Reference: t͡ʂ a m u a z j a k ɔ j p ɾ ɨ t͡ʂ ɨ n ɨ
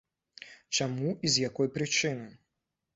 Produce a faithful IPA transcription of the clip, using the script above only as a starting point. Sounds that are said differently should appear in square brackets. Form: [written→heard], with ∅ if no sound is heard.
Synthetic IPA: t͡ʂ a m u [a→i] z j a k ɔ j p ɾ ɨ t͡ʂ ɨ n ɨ

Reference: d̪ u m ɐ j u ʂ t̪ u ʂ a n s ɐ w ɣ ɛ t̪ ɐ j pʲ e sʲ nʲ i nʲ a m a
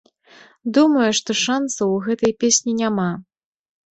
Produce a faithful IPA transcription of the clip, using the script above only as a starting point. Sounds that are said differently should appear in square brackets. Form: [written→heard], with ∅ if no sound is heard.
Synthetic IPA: d̪ u m ɐ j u ʂ t̪ [u→ɔ] ʂ a n s ɐ w ɣ ɛ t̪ ɐ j pʲ e sʲ nʲ i nʲ a m a

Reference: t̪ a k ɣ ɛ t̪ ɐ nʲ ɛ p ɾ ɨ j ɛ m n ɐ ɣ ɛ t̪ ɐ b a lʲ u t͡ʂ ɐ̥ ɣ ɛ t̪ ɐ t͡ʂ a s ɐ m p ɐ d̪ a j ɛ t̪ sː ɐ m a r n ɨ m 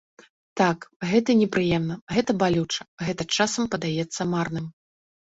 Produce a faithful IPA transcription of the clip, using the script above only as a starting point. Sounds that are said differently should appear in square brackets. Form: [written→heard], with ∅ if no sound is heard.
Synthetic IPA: t̪ a k ɣ ɛ t̪ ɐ nʲ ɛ p ɾ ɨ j ɛ m n ɐ ɣ ɛ t̪ ɐ b a lʲ u t͡ʂ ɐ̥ ɣ ɛ t̪ ɐ t͡ʂ a s ɐ m p ɐ d̪ a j ɛ t̪ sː ɐ m a r n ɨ m

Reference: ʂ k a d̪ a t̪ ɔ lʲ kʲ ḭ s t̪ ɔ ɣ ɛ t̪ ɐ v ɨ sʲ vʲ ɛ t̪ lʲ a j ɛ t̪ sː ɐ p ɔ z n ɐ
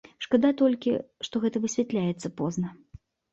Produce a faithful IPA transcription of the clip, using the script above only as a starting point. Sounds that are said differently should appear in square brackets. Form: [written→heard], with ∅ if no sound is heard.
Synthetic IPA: ʂ k a d̪ a t̪ ɔ lʲ kʲ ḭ [s→ʂ] t̪ ɔ ɣ ɛ t̪ ɐ v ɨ sʲ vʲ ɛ t̪ lʲ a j ɛ t̪ sː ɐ p ɔ z n ɐ

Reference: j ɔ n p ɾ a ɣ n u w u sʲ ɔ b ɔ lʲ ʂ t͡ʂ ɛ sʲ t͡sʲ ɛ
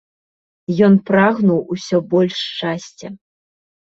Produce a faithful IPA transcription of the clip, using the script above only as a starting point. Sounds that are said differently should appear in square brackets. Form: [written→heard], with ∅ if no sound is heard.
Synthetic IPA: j ɔ n p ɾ a ɣ n u w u sʲ ɔ b ɔ lʲ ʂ t͡ʂ [ɛ→a] sʲ t͡sʲ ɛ

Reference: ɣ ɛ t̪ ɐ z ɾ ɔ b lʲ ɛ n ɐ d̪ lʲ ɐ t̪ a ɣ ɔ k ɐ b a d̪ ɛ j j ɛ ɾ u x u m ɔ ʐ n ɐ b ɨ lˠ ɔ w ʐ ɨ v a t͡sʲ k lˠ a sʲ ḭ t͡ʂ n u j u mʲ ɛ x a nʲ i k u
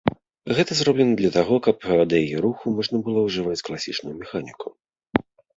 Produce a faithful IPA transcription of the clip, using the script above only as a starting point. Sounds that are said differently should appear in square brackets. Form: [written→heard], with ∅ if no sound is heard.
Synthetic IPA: ɣ ɛ t̪ ɐ z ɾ ɔ b lʲ ɛ n ɐ d̪ lʲ ɐ t̪ a ɣ ɔ k ɐ [b→p] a d̪ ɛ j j ɛ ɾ u x u m ɔ ʐ n ɐ b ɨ lˠ ɔ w ʐ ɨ v a t͡sʲ k lˠ a sʲ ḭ t͡ʂ n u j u mʲ ɛ x a nʲ i k u

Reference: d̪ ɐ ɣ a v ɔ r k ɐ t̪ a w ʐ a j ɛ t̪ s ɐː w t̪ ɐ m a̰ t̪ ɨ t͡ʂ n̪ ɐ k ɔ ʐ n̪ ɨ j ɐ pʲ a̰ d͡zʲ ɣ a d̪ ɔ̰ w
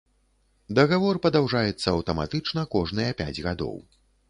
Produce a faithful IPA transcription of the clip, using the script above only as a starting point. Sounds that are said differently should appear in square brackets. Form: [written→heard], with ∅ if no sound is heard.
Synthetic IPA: d̪ ɐ ɣ a v ɔ r [k→p] ɐ [t̪→d̪] a w ʐ a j ɛ t̪ [s→sː] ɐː w t̪ ɐ m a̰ t̪ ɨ t͡ʂ n̪ ɐ k ɔ ʐ n̪ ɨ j ɐ pʲ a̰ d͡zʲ ɣ a d̪ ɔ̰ w

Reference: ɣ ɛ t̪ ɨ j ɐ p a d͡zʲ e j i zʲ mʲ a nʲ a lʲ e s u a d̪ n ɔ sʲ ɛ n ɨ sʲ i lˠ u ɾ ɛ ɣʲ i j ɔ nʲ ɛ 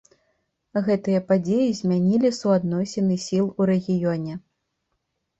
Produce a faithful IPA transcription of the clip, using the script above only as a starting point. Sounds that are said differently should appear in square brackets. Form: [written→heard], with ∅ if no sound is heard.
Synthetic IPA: ɣ ɛ t̪ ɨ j ɐ p a d͡zʲ e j i zʲ mʲ a nʲ [a→i] lʲ [e→i] s u a d̪ n ɔ sʲ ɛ n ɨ sʲ i lˠ u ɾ ɛ ɣʲ i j ɔ nʲ ɛ

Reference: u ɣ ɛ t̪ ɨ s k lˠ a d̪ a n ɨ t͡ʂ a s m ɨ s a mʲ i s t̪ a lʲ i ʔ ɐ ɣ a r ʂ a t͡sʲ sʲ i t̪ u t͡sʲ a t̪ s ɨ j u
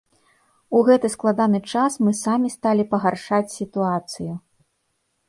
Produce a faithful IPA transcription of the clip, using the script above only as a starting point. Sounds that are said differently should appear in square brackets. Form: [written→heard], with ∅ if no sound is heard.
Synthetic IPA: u ɣ ɛ t̪ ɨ s k lˠ a d̪ a n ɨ t͡ʂ a s m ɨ s a mʲ i s t̪ a lʲ i [ʔ→p] ɐ ɣ a r ʂ a t͡sʲ sʲ i t̪ u [t͡sʲ→∅] a t̪ s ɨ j u

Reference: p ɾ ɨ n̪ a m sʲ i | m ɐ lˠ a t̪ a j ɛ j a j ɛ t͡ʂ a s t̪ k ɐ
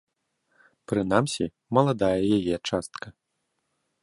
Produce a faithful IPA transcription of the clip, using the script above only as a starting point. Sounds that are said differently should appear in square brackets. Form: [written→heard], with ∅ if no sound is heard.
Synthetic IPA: p ɾ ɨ n̪ a m sʲ i | m ɐ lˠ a [t̪→d̪] a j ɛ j a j ɛ t͡ʂ a s t̪ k ɐ

